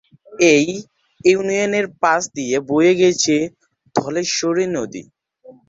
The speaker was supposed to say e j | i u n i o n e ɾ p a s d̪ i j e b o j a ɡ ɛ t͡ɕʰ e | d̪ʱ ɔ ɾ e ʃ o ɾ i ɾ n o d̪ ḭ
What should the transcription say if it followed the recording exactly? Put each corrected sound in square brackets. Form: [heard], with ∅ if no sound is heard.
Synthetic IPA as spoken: e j | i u n i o n e ɾ p a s d̪ i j e b o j [e] ɡ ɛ t͡ɕʰ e | d̪ʱ ɔ [l] e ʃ o ɾ i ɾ n o d̪ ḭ